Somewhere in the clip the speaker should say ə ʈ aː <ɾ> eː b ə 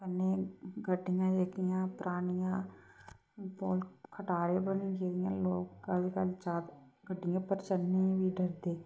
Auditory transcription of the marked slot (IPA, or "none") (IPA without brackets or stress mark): ɾ